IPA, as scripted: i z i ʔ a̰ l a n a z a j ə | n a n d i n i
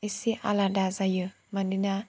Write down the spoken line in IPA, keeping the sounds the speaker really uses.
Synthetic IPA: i s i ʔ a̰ l a d a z a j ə | m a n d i n a

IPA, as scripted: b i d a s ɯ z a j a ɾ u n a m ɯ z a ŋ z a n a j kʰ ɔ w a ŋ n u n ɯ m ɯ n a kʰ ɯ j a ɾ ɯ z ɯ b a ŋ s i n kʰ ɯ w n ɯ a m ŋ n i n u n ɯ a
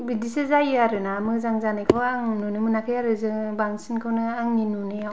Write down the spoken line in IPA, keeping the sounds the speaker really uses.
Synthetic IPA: b i d i s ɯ z a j a ɾ ɯ n a m ɯ z a ŋ z a n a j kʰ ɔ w a ŋ n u n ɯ m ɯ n a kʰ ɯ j a ɾ ɯ z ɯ b a ŋ s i n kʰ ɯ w n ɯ a ŋ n i n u n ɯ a

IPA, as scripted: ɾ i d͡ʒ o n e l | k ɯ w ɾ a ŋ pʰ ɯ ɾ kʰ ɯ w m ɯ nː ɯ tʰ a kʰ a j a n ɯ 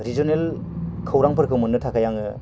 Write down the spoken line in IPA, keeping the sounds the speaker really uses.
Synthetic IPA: ɾ i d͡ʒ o n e l | kʰ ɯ w ɾ a ŋ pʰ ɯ ɾ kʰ ɯ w m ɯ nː ɯ tʰ a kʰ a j a ŋ ɯ

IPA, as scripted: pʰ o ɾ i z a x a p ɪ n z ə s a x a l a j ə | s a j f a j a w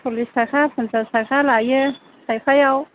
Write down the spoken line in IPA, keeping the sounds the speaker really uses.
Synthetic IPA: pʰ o l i s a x a p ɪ n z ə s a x a l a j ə | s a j f a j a w

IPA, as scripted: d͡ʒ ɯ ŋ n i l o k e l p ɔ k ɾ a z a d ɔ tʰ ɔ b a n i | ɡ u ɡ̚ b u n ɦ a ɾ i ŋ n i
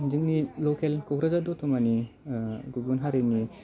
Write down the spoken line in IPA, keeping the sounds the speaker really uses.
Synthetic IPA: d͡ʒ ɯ ŋ n i l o k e l k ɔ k ɾ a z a d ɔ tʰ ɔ m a n i | ɡ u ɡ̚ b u n ɦ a ɾ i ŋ n i

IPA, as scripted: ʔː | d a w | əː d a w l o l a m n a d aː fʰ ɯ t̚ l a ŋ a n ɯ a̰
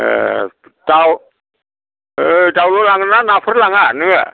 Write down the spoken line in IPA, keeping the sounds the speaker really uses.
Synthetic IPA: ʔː | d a w | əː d a w l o l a ŋ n a n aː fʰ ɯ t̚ l a ŋ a n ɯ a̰

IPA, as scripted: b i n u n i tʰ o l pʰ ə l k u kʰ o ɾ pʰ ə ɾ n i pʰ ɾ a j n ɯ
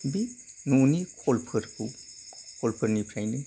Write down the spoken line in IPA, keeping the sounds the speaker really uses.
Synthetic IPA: b i n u n i kʰ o l pʰ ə ɾ k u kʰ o l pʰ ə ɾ n i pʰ ɾ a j n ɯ

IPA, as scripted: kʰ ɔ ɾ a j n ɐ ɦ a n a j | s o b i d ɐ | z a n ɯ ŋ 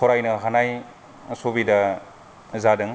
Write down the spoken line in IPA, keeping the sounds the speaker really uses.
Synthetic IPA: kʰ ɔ ɾ a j n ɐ ɦ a n a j | s o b i d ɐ | z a d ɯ ŋ

